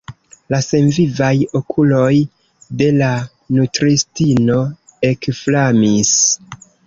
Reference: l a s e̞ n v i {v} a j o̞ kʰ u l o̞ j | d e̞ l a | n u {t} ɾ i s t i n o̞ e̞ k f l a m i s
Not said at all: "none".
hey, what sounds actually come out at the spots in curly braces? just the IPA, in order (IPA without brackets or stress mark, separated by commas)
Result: v, t